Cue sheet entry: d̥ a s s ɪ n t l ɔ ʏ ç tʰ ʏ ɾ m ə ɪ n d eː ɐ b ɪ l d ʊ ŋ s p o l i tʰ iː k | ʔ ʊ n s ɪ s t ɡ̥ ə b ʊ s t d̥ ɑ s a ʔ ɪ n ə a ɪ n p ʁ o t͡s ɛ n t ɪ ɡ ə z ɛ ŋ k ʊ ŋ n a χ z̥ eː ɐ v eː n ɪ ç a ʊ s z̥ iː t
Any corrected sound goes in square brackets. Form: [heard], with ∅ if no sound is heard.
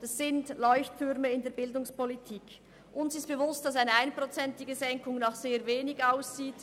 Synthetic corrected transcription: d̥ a s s ɪ n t l ɔ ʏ ç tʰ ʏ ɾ m ə ɪ n d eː ɐ b ɪ l d ʊ ŋ s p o l i tʰ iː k | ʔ ʊ n s ɪ s t [b̥] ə [v] ʊ s t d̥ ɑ s a [∅] ɪ n ə a ɪ n p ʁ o t͡s ɛ n t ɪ ɡ ə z ɛ ŋ k ʊ ŋ n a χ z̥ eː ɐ v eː n ɪ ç a ʊ s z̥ iː t